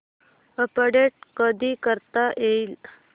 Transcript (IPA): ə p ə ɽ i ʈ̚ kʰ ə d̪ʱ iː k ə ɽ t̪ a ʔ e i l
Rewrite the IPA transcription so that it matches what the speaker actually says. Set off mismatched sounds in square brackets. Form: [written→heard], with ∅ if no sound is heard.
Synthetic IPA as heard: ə p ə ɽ [i→e] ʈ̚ [kʰ→k] ə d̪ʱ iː k ə [ɽ→ɾ] t̪ a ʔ e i l